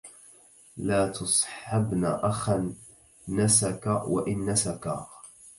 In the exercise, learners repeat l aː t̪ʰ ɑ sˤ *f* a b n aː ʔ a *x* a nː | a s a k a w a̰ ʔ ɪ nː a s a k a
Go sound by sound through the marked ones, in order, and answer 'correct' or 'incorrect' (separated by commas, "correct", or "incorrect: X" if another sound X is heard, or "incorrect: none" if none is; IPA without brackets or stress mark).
incorrect: ħ, correct